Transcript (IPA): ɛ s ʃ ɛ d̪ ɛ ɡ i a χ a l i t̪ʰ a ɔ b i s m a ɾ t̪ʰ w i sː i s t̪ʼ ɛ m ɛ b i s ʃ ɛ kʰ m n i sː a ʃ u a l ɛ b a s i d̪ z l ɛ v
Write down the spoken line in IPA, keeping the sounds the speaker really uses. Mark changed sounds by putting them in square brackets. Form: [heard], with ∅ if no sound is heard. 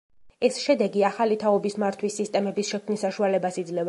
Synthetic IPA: ɛ s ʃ ɛ d̪ ɛ ɡ i a χ a l i t̪ʰ a ɔ b i s m a ɾ t̪ʰ w i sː i s t̪ʼ ɛ m ɛ b i s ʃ ɛ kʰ m n i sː a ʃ u a l ɛ b a s i d̪ z l ɛ v